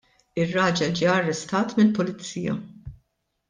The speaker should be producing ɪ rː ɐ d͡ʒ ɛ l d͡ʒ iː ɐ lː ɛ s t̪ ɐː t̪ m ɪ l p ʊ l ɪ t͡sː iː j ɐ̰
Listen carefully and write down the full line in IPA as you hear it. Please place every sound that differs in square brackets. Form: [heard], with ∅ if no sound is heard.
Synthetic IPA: ɪ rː [ɐː] d͡ʒ ɛ l d͡ʒ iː ɐ [rː] ɛ s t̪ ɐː t̪ m ɪ l p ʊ l ɪ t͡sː iː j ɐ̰